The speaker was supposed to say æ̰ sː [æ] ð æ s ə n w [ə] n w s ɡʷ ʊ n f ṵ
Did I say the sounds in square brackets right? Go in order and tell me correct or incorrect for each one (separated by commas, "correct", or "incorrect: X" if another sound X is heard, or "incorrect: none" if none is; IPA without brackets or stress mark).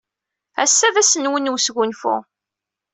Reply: correct, correct